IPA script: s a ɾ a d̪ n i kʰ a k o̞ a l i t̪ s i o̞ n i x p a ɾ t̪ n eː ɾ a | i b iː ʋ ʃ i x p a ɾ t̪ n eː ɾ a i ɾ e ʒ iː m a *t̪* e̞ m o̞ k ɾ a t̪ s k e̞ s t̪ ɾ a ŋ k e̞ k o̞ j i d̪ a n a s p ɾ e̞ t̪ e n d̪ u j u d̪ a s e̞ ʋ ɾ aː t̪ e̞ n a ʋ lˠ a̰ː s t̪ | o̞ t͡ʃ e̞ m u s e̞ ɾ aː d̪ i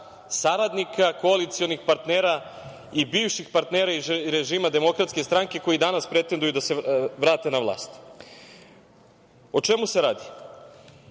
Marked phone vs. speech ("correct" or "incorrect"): incorrect